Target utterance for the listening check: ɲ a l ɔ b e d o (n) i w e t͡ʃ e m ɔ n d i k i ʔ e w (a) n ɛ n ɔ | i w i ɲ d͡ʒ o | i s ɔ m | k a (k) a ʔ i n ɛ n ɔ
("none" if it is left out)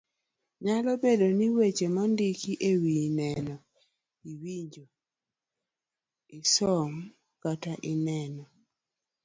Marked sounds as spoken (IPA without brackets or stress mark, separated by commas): n, i, t